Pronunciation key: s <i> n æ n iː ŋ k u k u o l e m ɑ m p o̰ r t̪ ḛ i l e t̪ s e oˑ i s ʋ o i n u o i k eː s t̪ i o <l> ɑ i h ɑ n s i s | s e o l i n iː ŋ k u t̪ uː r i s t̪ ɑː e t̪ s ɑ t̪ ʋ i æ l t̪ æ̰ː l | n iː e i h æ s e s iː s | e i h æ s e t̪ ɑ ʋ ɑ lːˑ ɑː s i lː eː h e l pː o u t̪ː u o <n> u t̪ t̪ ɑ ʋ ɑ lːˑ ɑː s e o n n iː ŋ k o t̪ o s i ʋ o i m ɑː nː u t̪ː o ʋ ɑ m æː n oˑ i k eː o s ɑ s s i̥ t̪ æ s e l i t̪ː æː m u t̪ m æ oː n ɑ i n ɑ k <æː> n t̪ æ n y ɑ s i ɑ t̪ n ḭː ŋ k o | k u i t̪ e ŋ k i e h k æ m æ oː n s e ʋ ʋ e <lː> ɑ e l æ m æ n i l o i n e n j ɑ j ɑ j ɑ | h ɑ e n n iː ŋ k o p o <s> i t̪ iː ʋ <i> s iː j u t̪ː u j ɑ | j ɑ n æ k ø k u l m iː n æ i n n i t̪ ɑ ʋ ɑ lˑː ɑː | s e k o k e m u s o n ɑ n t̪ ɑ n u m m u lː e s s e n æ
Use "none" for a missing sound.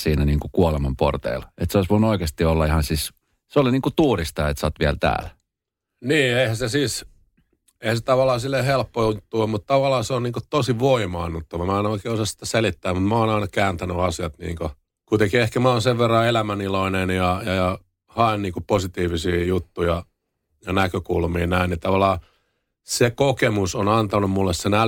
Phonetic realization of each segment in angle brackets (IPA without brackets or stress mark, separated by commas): iː, lː, m, æː, rː, s, i